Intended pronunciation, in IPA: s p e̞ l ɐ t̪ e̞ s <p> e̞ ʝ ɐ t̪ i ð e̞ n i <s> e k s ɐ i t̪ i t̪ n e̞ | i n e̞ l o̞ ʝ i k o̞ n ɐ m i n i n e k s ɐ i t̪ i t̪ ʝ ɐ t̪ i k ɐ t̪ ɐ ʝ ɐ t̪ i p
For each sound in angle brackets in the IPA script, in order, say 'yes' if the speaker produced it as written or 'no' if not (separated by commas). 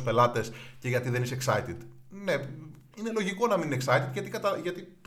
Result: no, yes